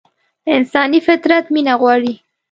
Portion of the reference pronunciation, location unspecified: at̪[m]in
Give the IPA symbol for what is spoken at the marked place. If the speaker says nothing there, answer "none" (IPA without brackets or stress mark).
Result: m